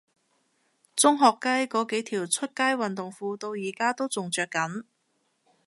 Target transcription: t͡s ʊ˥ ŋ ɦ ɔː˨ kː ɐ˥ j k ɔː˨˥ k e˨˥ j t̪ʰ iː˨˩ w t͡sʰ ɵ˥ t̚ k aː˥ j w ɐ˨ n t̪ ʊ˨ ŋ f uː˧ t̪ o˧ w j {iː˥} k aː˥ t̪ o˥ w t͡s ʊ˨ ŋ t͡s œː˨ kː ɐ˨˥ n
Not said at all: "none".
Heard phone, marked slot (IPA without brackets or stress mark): iː˨˩